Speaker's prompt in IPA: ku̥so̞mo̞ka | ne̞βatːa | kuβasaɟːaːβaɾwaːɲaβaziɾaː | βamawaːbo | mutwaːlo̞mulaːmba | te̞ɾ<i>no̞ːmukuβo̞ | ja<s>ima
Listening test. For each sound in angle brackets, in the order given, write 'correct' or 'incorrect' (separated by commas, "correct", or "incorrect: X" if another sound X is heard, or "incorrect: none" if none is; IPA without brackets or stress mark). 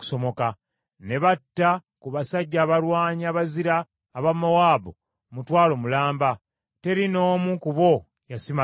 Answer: correct, correct